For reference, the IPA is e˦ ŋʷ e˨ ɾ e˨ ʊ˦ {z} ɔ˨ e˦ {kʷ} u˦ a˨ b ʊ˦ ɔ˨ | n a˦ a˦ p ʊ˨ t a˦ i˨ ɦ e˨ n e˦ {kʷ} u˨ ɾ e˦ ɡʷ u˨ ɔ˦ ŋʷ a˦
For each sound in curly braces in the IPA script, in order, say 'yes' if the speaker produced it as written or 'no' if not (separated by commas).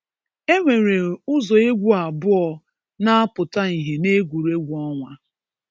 yes, no, no